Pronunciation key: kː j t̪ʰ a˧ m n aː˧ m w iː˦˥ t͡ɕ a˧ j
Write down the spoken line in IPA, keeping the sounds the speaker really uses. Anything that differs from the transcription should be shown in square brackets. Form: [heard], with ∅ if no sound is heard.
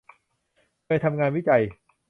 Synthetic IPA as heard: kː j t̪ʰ a˧ m [ŋ] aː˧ [n] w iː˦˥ t͡ɕ a˧ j